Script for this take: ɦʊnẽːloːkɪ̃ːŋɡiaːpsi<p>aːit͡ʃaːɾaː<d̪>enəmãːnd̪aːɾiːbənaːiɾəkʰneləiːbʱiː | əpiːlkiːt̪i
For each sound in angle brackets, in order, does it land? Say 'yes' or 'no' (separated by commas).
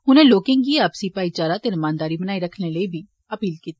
yes, no